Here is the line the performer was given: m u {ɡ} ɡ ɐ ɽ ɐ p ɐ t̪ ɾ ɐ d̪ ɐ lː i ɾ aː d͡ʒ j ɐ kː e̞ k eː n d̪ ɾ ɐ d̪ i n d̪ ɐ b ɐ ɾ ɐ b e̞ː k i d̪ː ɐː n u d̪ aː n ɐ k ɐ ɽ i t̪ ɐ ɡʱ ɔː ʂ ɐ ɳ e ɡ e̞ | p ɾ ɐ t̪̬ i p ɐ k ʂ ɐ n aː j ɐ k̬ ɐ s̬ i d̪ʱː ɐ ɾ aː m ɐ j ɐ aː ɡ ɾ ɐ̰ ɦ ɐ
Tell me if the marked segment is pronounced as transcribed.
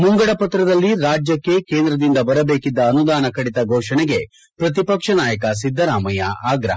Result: no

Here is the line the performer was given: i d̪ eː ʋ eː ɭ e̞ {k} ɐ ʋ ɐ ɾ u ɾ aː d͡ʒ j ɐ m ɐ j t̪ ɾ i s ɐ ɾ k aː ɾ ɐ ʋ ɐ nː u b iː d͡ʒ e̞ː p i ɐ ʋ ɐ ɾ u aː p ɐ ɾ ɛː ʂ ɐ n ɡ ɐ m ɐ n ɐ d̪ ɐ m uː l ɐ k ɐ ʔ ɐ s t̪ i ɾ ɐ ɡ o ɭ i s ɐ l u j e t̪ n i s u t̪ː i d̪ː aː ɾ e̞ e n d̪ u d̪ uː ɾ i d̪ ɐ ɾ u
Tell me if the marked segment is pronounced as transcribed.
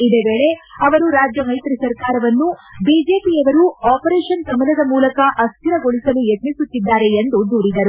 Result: no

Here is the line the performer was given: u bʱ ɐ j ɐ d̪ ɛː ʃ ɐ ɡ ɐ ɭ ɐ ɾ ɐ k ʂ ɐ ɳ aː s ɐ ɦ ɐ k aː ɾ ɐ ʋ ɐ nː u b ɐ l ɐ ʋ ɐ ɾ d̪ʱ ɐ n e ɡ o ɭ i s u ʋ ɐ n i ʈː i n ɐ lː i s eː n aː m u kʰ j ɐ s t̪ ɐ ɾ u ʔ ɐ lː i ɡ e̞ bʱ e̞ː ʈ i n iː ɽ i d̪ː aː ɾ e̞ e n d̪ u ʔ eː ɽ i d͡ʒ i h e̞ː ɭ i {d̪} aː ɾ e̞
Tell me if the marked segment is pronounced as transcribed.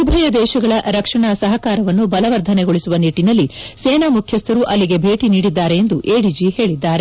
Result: no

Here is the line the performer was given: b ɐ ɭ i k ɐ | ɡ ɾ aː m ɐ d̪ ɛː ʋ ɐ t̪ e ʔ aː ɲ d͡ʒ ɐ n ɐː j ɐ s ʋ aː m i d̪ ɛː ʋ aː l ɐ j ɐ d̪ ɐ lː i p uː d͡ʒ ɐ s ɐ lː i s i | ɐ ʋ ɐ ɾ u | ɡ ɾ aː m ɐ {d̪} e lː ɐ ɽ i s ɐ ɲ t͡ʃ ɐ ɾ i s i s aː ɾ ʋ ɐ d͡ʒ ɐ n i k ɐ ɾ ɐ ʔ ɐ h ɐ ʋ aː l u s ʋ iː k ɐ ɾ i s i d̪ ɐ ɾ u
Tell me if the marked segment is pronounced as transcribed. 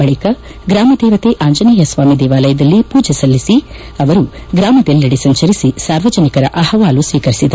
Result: yes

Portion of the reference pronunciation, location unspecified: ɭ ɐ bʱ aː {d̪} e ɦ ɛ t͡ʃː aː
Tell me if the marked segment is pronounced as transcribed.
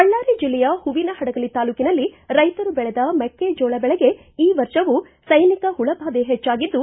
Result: yes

